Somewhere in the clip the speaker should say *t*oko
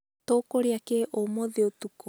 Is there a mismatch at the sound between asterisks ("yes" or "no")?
no